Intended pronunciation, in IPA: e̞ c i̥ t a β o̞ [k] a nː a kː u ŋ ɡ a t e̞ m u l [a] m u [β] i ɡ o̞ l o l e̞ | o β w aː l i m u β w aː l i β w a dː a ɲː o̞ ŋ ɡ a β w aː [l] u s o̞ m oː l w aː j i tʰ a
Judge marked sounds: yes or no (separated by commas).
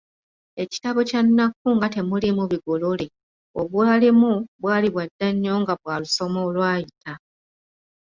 no, no, yes, yes